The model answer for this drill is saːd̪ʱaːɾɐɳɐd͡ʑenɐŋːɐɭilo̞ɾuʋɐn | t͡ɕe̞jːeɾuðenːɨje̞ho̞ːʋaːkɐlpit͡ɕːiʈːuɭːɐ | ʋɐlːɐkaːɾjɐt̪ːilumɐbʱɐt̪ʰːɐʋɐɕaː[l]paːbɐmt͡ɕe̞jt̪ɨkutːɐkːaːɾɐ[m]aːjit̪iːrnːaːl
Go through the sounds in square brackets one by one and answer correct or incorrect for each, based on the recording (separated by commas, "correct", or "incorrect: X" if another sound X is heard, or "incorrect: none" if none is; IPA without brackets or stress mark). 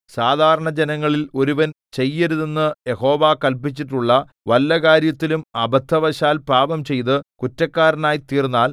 correct, incorrect: n